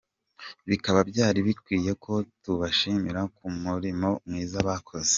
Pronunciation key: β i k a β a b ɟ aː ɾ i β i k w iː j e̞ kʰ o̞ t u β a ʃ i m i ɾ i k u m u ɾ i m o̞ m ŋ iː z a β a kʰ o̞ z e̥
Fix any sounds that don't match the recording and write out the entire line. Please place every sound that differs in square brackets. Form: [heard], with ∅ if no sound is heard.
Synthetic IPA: β i k a β a b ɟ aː ɾ i β i k w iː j e̞ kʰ o̞ t u β a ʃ i m i ɾ [a] k u m u ɾ i m o̞ m ŋ iː z a β a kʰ o̞ z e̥